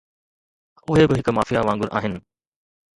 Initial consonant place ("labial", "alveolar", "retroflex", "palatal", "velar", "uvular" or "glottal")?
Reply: glottal